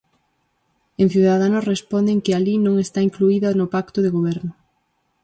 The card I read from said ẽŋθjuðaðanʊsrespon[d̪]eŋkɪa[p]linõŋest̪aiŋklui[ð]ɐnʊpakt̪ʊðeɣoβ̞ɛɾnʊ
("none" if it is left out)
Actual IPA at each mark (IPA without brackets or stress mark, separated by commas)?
d̪, none, ð